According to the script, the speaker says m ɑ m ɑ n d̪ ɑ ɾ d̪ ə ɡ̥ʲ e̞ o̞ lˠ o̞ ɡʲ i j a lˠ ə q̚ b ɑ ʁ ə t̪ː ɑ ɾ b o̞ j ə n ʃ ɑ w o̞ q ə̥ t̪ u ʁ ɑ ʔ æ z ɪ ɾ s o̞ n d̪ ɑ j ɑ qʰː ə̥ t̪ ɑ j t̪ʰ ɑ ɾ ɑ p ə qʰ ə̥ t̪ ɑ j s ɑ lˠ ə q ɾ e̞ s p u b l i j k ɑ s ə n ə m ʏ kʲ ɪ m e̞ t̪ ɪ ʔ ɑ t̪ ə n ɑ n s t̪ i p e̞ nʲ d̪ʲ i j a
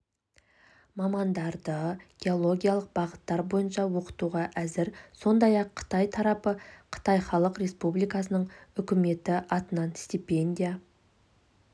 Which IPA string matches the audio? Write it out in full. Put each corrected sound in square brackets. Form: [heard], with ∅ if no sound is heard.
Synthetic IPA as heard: m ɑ m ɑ n d̪ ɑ ɾ d̪ ə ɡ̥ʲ e̞ o̞ lˠ o̞ ɡʲ i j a lˠ ə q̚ b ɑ ʁ ə t̪ː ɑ ɾ b o̞ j ə n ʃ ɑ w o̞ q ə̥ t̪ u ʁ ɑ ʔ æ z ɪ ɾ s o̞ n d̪ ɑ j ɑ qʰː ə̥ t̪ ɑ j t̪ʰ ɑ ɾ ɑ p ə qʰ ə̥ t̪ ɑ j [χ] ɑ lˠ ə q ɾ e̞ s p u b l i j k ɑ s ə n ə [ɴ] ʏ kʲ ɪ m e̞ t̪ ɪ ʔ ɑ t̪ ə n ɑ n s t̪ i p e̞ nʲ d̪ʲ i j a